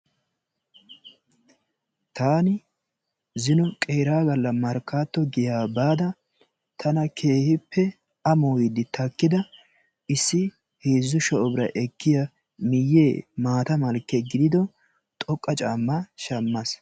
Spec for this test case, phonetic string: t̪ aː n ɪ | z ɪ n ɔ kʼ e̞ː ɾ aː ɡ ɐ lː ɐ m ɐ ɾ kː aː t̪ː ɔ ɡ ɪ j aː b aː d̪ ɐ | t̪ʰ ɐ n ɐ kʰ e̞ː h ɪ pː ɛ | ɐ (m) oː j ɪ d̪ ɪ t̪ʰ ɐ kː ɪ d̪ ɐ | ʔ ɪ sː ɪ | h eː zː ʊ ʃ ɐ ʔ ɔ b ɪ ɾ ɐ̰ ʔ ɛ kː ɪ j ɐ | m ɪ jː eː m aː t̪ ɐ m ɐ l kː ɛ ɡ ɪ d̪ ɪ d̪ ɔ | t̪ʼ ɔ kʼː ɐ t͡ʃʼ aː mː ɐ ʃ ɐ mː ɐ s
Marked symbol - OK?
yes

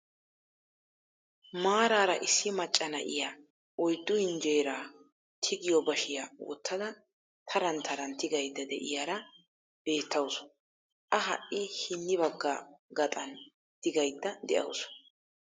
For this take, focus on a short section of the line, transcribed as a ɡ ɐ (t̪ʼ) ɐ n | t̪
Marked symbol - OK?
yes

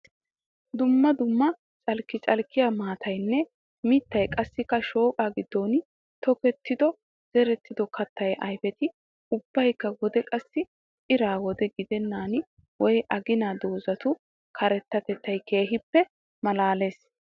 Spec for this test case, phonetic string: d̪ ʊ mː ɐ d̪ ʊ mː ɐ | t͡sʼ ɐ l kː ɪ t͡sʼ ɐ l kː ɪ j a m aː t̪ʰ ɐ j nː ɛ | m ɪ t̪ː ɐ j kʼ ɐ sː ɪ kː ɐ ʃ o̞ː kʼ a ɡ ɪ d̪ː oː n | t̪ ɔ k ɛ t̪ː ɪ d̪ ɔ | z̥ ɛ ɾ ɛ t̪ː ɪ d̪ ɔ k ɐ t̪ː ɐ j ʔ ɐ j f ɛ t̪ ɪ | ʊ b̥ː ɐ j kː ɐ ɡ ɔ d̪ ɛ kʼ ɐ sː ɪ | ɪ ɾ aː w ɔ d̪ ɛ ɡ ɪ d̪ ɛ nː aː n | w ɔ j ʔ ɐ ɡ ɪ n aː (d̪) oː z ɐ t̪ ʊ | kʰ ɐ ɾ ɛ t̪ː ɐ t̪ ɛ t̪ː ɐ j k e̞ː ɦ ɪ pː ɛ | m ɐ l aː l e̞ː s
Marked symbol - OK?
yes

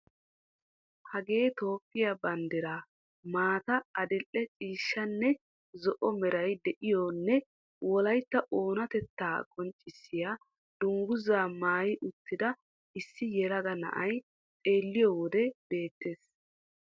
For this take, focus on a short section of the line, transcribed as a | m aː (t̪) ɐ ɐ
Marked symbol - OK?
yes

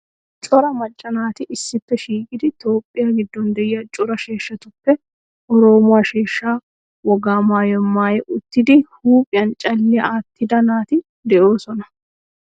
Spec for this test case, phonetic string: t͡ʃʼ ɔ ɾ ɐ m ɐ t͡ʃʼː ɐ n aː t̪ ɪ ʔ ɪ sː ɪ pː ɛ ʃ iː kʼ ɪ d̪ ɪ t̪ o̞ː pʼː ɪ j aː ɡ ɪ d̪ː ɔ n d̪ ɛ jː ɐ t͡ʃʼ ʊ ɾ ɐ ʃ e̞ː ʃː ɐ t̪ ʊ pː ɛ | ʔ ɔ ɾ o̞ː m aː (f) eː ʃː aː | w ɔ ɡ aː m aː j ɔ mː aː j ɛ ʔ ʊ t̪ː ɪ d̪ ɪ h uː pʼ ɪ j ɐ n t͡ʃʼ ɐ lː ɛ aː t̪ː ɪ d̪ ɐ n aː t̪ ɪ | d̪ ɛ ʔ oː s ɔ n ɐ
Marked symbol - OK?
no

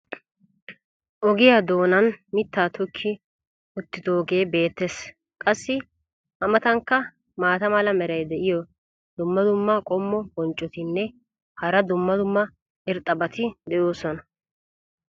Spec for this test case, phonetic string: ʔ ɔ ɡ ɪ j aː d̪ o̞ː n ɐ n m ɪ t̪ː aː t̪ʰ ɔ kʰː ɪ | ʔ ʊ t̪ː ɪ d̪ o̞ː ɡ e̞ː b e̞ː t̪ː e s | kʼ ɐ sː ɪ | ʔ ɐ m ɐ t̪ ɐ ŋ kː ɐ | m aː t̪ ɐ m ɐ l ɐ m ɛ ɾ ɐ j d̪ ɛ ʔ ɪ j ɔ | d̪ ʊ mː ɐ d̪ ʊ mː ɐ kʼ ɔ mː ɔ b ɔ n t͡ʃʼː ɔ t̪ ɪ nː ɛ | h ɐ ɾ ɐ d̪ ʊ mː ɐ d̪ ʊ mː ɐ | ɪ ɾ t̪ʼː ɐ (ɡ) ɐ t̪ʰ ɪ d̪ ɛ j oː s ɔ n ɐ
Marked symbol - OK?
no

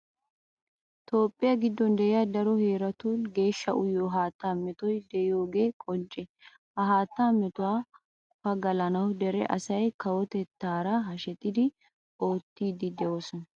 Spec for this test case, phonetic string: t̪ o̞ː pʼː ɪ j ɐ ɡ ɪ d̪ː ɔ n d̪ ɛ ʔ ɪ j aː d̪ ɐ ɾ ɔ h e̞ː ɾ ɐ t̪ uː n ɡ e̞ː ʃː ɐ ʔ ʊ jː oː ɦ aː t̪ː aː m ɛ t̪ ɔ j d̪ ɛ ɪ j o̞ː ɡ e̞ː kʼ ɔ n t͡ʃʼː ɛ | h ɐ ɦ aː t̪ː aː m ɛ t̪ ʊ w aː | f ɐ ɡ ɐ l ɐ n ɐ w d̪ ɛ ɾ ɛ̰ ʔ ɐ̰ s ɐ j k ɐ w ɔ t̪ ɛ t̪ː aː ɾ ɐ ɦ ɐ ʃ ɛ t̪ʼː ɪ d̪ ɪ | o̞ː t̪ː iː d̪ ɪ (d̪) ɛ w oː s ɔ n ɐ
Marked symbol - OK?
yes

